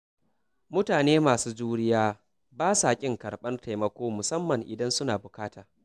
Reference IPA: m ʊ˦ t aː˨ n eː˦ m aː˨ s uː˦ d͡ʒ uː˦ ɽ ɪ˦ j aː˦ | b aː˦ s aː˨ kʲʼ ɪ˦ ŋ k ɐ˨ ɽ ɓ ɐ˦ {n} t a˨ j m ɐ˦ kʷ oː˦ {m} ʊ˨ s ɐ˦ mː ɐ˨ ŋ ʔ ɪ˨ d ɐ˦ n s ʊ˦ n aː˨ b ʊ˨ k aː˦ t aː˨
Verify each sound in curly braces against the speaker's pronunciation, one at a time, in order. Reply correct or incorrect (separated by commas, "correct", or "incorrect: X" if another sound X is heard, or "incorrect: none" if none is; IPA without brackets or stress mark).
correct, correct